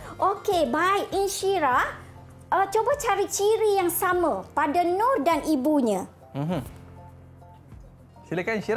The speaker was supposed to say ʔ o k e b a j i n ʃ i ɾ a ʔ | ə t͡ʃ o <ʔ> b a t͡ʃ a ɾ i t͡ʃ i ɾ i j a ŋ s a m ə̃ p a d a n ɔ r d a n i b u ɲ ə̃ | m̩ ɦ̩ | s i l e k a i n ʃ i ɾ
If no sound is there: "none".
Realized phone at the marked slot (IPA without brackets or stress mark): none